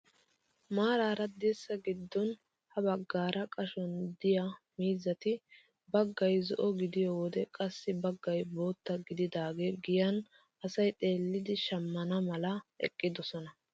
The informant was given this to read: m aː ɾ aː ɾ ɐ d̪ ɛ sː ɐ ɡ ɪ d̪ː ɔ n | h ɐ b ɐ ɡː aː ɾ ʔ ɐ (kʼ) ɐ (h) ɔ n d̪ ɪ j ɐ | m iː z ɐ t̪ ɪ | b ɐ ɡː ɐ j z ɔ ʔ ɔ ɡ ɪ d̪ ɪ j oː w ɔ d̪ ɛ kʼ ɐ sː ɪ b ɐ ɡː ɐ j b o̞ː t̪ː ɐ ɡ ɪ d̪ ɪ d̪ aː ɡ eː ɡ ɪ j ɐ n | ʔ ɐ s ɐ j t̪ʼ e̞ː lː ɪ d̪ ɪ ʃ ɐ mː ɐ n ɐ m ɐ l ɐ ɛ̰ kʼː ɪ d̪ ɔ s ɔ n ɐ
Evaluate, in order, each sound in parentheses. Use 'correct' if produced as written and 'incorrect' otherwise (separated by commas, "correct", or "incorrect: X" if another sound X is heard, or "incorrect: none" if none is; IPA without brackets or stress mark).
correct, incorrect: ʃ